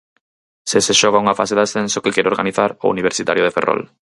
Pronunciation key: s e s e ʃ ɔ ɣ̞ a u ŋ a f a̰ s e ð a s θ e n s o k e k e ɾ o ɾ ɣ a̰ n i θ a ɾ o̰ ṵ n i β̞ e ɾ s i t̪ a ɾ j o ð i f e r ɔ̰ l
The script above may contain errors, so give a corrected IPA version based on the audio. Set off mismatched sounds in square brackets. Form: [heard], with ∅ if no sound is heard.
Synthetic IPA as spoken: s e s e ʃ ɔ ɣ̞ a u ŋ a f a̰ s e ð a s θ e n s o k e k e ɾ o ɾ ɣ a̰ n i θ a ɾ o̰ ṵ n i β̞ e ɾ s i t̪ a ɾ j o ð [e] f e r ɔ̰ l

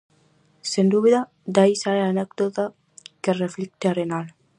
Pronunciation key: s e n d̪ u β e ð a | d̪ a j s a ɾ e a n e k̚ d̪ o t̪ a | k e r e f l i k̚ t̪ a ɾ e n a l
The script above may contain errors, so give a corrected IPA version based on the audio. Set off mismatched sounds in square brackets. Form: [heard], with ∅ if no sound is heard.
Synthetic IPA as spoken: s e n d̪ u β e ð a | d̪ a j s a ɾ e a n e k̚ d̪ o t̪ a | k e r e f l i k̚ t̪ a ɾ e n a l

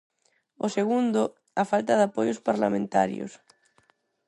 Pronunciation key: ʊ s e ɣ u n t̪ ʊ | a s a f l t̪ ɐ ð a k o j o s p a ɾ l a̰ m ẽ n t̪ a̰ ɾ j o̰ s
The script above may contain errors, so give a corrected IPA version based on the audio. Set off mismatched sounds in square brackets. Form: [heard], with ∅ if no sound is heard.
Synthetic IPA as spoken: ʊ s e ɣ u n [d̪] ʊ | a [f] a [∅] l t̪ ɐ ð a [p] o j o s p a ɾ l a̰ m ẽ n t̪ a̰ ɾ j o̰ s

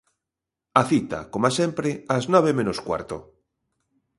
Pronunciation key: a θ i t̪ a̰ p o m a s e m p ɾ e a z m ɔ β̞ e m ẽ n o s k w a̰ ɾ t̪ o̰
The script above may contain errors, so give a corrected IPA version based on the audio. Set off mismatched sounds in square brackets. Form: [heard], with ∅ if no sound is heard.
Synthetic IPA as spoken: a θ i t̪ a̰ [k] o m a s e m p ɾ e a z [n] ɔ β̞ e m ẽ n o s k w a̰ ɾ t̪ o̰

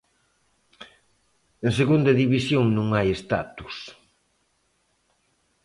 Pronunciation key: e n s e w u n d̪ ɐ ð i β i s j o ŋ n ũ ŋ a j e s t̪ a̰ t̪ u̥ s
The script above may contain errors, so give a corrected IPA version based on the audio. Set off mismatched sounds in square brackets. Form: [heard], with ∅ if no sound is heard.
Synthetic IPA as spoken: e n s e [ɣ] u n d̪ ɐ ð i β i s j o ŋ n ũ ŋ a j e s t̪ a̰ t̪ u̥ s

